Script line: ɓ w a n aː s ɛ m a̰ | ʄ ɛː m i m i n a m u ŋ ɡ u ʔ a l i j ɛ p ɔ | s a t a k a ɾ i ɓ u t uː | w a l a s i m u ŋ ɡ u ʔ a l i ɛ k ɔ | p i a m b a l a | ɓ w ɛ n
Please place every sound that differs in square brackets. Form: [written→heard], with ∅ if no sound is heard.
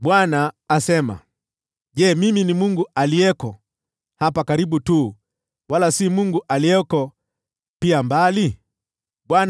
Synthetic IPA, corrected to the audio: ɓ w a n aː s ɛ m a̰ | ʄ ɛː m i m i n [a→i] m u ŋ ɡ u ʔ a l i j ɛ [p→k] ɔ | [s→h] a [t→p] a k a ɾ i ɓ u t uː | w a l a s i m u ŋ ɡ u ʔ a l i ɛ k ɔ | p i a m b a l [a→i] | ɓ w [ɛ→a] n